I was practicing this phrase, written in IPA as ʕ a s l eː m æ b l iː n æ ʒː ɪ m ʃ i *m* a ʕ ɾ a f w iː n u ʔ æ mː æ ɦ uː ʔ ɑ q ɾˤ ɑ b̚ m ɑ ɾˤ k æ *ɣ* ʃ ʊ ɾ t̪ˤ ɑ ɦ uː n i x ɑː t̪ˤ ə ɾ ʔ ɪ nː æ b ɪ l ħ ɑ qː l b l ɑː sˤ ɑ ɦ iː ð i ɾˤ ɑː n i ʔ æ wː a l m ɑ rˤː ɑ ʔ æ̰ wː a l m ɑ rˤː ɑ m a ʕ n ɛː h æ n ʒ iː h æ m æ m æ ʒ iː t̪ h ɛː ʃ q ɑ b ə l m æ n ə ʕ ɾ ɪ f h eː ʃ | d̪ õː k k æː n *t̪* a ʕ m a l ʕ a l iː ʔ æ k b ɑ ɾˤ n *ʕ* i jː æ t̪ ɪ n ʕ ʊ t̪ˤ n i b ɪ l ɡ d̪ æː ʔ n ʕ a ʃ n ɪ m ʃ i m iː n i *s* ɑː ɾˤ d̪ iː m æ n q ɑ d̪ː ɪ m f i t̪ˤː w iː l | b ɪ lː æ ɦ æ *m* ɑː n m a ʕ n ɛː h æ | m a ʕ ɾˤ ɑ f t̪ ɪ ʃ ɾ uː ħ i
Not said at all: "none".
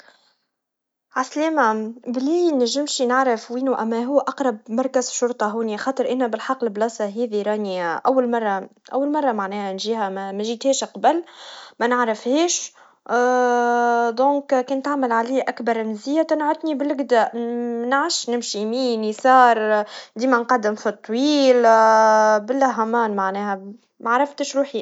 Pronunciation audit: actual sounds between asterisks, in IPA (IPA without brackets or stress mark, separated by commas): n, z, t̪, z, s, m